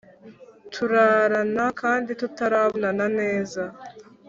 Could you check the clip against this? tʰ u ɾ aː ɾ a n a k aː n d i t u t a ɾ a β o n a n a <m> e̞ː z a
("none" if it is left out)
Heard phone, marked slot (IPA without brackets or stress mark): n